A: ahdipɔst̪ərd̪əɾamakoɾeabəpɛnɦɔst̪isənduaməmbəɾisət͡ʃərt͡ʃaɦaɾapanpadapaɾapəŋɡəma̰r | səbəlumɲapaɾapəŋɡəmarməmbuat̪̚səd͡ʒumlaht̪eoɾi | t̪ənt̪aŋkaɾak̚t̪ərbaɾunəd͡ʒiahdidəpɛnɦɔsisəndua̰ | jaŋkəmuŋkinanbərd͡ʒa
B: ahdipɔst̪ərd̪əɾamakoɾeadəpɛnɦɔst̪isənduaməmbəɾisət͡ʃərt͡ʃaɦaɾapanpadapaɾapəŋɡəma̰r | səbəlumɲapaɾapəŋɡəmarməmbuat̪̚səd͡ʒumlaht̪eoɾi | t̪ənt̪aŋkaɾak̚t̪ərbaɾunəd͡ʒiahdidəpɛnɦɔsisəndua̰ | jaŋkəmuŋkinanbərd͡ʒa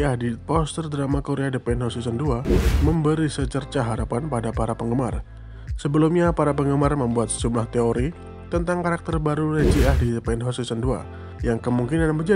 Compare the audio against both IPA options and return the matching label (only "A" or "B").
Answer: B